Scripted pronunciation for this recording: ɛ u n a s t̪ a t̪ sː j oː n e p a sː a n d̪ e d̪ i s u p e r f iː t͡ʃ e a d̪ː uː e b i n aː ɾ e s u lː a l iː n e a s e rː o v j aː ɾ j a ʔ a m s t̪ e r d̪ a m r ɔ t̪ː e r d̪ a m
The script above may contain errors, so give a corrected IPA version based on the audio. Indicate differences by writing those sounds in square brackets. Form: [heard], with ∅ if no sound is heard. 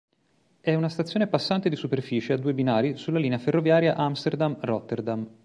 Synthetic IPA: ɛ u n a s t̪ a t̪ sː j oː n e p a sː a n [t̪] e d̪ i s u p e r f iː t͡ʃ e a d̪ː uː e b i n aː ɾ [i] s u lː a l iː n e a [f] e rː o v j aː ɾ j a ʔ a m s t̪ e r d̪ a m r ɔ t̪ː e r d̪ a m